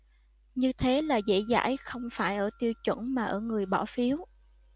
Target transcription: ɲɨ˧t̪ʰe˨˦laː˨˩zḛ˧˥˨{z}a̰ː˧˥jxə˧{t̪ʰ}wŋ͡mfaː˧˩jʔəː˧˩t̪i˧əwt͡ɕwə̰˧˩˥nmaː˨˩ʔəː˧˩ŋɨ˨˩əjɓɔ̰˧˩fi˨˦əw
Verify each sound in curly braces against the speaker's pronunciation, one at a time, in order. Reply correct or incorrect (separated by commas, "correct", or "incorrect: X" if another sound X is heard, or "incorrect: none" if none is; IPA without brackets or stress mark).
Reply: correct, incorrect: none